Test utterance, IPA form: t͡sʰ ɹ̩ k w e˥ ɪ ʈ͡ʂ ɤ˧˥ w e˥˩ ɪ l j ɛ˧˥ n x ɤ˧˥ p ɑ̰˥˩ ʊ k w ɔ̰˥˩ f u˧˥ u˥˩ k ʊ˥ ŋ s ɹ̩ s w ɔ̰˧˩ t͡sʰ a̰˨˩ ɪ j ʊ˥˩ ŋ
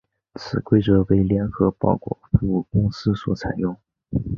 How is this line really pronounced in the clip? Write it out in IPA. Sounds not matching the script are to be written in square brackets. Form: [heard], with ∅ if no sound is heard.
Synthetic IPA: t͡sʰ ɹ̩ k w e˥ ɪ ʈ͡ʂ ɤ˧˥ w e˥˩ ɪ l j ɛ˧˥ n x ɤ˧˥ p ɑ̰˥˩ ʊ k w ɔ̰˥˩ f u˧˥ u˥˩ k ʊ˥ ŋ s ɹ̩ s w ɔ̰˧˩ t͡sʰ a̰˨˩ ɪ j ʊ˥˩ ŋ